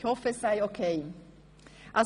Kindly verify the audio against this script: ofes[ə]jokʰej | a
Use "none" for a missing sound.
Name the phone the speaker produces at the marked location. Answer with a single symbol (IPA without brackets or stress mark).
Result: a